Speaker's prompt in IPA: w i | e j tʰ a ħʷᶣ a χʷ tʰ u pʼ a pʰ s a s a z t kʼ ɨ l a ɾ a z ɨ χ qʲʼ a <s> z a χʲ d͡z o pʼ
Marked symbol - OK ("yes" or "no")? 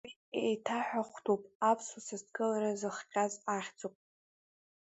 no